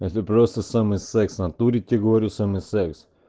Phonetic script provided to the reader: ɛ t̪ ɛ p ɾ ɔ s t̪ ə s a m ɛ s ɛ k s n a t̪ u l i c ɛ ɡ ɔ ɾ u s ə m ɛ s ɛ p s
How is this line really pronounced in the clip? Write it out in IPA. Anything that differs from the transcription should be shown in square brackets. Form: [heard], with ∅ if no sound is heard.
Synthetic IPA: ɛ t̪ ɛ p ɾ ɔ s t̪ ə s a m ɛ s ɛ k s n a t̪ u [ɾ] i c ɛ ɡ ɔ ɾ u s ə m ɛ s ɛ [k] s

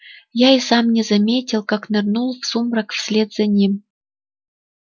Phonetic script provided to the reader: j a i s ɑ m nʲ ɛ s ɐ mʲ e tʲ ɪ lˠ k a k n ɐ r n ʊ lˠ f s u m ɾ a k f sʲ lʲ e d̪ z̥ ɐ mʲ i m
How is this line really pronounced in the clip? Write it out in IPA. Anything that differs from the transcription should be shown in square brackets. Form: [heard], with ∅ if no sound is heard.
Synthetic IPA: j a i s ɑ m nʲ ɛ [z] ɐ mʲ e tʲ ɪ lˠ k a k n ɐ r n [u] lˠ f s u m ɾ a k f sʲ lʲ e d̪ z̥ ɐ [nʲ] i m

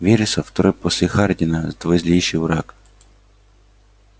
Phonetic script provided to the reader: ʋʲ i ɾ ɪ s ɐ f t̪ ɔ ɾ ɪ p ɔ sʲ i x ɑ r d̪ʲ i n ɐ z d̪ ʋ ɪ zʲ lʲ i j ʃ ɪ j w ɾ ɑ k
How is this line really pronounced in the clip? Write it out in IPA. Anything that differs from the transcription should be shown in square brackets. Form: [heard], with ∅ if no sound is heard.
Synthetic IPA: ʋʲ i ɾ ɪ s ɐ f t̪ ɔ ɾ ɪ p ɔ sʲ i x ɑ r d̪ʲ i n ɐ z d̪ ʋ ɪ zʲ lʲ i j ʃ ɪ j w ɾ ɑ k

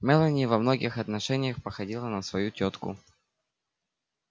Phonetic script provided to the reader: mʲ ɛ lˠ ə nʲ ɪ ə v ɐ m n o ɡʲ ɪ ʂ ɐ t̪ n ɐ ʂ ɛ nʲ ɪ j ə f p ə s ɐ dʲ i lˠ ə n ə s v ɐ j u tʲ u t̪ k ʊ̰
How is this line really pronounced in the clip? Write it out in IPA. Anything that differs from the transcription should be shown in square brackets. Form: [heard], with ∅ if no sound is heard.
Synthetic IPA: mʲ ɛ lˠ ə nʲ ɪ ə v ɐ m n o ɡʲ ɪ [x] ɐ t̪ n ɐ ʂ ɛ nʲ ɪ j ə [x] p ə [x] ɐ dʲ i lˠ ə n ə s v ɐ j u tʲ [o] t̪ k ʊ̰

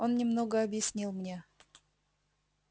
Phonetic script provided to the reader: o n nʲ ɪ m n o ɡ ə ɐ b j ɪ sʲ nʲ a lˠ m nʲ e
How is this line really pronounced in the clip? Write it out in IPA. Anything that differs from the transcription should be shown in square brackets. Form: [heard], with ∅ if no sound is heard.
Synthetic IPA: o n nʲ ɪ m n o ɡ ə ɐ b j ɪ sʲ nʲ [i] lˠ m nʲ e

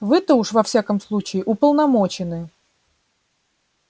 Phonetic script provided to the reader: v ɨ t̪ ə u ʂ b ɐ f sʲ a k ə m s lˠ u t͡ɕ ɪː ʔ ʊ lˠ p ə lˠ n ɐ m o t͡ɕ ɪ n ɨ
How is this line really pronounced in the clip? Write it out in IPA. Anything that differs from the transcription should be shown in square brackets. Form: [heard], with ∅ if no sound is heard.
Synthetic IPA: v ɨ t̪ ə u ʂ [v] ɐ f sʲ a k ə m s lˠ u t͡ɕ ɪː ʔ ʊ [∅] p ə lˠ n ɐ m o t͡ɕ ɪ n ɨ

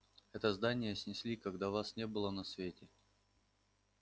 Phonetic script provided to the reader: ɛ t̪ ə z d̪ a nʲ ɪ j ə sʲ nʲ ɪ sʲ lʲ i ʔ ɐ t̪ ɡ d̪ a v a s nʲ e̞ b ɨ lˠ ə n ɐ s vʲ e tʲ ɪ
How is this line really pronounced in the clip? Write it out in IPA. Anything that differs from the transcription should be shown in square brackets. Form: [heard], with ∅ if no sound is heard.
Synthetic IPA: ɛ t̪ ə z d̪ a nʲ ɪ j ə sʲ nʲ ɪ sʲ lʲ i [k] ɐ [∅] ɡ d̪ a v a s nʲ e̞ b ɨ lˠ ə n ɐ s vʲ e tʲ ɪ

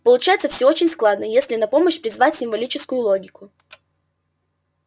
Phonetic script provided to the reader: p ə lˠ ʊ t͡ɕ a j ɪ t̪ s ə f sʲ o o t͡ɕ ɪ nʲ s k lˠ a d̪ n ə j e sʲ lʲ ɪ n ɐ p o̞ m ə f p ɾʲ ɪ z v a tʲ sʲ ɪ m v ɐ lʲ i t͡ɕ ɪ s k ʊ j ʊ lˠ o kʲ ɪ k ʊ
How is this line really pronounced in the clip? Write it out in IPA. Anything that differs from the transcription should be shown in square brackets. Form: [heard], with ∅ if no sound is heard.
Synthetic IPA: p ə lˠ ʊ t͡ɕ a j ɪ t̪ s ə f sʲ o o t͡ɕ ɪ nʲ s k lˠ a d̪ n ə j e sʲ lʲ ɪ n ɐ p o̞ m ə [ɕ] p ɾʲ ɪ z v a tʲ sʲ ɪ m v ɐ lʲ i t͡ɕ ɪ s k ʊ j ʊ lˠ o [ɡʲ] ɪ k ʊ

